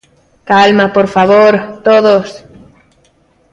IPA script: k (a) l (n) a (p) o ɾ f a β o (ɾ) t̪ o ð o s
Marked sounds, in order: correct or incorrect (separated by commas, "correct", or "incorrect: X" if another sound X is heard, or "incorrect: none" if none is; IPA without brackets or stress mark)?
correct, incorrect: m, correct, correct